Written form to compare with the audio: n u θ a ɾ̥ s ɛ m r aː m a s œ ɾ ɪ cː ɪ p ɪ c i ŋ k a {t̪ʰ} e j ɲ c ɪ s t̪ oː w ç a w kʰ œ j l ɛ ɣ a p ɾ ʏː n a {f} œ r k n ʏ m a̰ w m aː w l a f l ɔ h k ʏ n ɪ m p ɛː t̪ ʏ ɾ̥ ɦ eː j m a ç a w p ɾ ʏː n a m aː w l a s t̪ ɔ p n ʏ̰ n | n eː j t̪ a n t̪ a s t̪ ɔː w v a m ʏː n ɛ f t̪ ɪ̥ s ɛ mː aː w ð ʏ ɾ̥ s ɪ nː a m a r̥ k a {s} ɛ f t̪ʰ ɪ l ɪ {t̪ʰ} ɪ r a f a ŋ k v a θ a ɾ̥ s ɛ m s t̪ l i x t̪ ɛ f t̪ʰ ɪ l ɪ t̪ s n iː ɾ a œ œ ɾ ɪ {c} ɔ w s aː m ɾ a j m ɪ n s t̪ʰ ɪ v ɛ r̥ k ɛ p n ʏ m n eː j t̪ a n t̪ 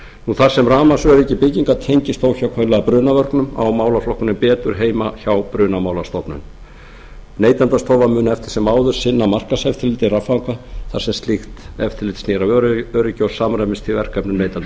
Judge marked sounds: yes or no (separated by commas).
yes, no, yes, no, yes